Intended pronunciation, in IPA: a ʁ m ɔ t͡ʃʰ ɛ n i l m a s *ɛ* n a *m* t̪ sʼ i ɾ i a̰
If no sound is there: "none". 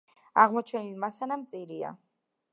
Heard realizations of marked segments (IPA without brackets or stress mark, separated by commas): a, m